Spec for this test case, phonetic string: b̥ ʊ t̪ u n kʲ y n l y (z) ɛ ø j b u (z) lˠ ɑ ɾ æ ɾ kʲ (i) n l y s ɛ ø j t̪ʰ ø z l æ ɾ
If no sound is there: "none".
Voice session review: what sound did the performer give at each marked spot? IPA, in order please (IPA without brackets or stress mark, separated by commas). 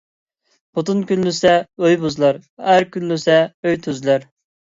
s, z, y